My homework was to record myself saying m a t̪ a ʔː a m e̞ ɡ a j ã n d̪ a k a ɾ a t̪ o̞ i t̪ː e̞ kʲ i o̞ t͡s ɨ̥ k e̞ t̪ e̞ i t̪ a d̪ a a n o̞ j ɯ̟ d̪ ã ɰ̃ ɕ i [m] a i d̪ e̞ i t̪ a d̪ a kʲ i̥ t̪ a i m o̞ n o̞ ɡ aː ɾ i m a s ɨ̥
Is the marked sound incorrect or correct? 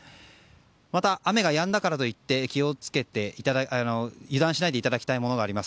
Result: incorrect